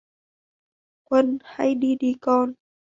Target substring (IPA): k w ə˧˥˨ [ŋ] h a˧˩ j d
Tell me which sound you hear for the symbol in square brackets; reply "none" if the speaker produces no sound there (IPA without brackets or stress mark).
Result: n